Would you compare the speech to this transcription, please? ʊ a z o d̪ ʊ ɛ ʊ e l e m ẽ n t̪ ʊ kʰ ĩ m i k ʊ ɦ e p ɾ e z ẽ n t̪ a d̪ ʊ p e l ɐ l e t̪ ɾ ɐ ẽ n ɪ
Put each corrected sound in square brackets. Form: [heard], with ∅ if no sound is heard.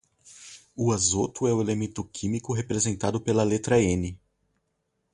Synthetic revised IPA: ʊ a z o [t̪] ʊ ɛ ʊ e l e m ẽ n t̪ ʊ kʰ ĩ m i k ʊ ɦ e p ɾ e z ẽ n t̪ a d̪ ʊ p e l ɐ l e t̪ ɾ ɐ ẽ n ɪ